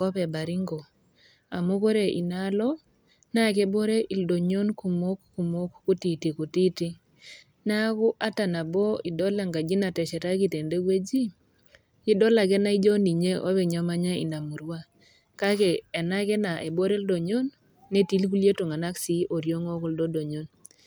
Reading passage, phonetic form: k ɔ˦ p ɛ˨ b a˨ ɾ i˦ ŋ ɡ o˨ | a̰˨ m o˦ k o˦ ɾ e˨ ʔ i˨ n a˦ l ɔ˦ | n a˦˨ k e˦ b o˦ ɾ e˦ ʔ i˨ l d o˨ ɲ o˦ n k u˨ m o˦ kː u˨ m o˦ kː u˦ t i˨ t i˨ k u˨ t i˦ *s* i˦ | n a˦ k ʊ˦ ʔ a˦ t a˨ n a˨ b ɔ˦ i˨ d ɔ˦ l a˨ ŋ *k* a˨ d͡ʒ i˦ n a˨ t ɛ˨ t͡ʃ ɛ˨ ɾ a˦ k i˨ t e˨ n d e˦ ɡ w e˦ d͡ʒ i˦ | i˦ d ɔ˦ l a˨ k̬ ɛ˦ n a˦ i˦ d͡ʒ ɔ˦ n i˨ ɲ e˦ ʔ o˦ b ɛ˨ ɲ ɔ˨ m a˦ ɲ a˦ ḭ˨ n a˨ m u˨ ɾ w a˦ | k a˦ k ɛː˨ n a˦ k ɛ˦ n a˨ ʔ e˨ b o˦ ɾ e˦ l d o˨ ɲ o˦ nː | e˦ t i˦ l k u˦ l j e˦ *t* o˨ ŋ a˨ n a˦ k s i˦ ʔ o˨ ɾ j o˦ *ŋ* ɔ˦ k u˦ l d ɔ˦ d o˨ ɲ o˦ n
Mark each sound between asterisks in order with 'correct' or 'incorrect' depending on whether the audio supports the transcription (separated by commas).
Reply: incorrect, incorrect, correct, correct